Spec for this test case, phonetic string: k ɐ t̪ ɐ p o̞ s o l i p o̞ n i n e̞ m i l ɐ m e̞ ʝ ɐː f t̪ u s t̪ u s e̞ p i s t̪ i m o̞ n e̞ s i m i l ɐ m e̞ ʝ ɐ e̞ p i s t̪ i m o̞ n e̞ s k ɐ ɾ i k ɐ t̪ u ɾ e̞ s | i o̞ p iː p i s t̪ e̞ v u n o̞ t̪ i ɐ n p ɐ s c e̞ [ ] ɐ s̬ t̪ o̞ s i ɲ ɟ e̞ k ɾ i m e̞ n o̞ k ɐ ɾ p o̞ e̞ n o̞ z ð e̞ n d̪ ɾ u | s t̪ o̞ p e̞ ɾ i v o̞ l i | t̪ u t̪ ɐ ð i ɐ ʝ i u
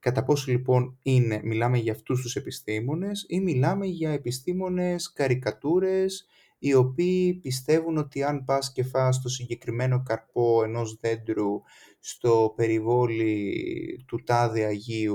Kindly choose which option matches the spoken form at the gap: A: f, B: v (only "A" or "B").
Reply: A